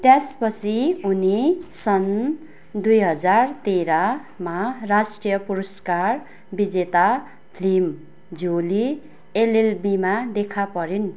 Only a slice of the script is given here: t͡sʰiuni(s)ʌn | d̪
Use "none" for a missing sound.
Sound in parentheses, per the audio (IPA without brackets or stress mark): s